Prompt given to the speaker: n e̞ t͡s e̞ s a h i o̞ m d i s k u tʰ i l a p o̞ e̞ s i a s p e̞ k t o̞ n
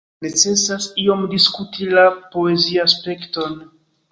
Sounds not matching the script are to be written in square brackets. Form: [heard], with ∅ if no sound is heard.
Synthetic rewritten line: n e̞ t͡s e̞ s a [s] i o̞ m d i s k u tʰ i l a p o̞ e̞ [z] i a s p e̞ k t o̞ n